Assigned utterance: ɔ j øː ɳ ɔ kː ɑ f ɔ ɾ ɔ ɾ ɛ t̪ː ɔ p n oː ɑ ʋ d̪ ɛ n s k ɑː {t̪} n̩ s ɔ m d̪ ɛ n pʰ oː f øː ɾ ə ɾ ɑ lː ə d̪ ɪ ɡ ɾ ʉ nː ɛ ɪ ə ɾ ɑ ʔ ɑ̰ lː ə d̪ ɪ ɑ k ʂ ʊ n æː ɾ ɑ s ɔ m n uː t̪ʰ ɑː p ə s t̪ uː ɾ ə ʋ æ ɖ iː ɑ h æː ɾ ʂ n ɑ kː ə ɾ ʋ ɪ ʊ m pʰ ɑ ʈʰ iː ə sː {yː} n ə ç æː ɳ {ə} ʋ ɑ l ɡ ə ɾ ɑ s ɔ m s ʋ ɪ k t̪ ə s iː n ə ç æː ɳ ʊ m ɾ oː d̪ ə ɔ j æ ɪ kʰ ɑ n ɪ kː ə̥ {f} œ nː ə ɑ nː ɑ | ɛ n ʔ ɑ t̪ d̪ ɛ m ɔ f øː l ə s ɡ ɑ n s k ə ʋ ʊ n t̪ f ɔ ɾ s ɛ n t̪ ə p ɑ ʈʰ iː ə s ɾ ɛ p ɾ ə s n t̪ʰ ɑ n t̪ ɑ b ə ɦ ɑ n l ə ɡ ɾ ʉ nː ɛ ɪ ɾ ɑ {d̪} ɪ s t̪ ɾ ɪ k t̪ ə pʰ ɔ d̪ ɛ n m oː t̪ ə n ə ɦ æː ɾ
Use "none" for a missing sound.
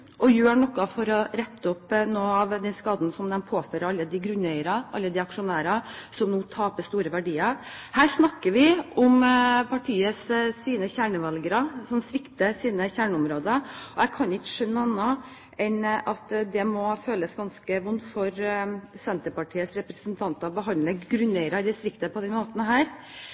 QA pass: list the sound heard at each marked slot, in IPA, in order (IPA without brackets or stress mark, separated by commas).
d̪, iː, ə, ʂ, d̪